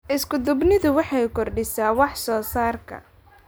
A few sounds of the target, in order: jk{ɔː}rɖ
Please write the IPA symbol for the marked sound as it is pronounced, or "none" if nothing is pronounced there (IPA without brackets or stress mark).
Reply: ɔ